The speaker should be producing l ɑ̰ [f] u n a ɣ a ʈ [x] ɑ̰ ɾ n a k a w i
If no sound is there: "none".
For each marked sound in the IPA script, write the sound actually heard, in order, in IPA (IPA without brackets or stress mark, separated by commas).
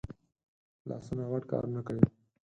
s, k